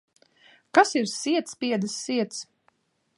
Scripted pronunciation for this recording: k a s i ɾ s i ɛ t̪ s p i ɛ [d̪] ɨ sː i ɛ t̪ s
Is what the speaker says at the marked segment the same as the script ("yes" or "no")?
yes